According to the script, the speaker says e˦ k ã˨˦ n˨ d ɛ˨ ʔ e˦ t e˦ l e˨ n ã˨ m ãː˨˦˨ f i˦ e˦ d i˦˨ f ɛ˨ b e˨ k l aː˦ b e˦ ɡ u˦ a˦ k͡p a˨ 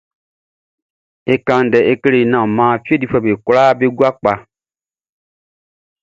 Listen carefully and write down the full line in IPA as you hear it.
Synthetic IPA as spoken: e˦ k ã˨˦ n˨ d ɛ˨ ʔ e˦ k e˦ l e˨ n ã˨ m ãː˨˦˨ f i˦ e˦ d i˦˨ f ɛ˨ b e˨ k l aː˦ b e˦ ɡ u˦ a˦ k͡p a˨